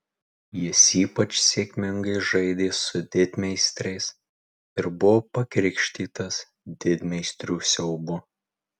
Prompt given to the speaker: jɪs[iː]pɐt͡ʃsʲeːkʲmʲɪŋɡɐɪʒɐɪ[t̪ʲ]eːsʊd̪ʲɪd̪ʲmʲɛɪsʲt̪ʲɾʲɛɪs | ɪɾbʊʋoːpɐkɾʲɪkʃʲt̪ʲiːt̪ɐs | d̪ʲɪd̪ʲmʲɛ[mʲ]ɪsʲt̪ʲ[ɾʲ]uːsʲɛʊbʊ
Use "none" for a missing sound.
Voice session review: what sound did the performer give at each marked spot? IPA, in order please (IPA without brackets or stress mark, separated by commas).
iː, d̪ʲ, none, ɾʲ